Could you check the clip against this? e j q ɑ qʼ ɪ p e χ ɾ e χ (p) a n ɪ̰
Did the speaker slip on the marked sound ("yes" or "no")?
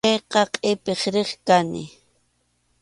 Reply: yes